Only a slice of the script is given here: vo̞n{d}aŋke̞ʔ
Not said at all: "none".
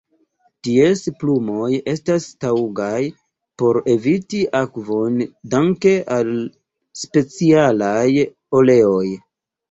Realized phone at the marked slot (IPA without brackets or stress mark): d